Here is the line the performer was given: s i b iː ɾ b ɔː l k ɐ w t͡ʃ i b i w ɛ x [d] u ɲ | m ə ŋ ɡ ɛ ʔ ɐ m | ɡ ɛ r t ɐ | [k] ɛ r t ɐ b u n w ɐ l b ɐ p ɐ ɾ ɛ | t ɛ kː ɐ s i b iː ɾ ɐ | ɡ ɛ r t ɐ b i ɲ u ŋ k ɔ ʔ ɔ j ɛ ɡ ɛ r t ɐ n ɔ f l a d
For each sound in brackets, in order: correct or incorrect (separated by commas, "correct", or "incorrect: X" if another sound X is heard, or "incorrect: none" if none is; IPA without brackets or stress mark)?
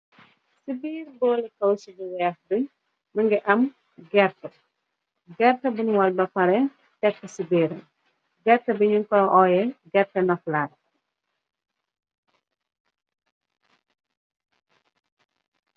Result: correct, incorrect: ɡ